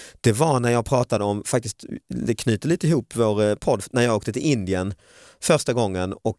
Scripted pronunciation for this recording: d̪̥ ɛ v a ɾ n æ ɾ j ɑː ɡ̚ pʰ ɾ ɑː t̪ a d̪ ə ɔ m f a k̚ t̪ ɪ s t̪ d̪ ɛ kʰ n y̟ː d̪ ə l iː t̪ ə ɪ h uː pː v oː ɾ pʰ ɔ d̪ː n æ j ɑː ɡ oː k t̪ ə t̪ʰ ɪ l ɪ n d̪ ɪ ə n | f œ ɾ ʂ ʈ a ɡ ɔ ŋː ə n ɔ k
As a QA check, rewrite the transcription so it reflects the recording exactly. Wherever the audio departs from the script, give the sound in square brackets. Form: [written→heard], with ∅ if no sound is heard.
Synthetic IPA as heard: d̪̥ ɛ v a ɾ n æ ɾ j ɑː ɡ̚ pʰ ɾ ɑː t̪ a d̪ ə ɔ m f a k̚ t̪ ɪ s t̪ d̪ ɛ kʰ n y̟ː [d̪→t̪] ə l iː t̪ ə ɪ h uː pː v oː ɾ pʰ ɔ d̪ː n æ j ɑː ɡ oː k t̪ ə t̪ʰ ɪ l ɪ n d̪ ɪ ə n | f œ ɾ ʂ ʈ a ɡ ɔ ŋː ə n ɔ k